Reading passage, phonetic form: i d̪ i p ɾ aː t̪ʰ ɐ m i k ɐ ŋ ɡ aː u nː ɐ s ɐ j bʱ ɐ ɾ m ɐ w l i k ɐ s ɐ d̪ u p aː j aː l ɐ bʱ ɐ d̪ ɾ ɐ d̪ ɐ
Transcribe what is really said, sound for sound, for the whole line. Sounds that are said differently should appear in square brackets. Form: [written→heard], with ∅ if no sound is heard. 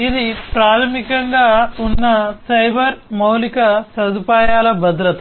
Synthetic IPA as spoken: i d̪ i p ɾ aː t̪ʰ ɐ m i k ɐ ŋ ɡ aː u nː ɐ s ɐ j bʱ ɐ ɾ m ɐ w l i k ɐ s ɐ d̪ u p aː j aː l ɐ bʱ ɐ d̪ ɾ ɐ [d̪→t̪] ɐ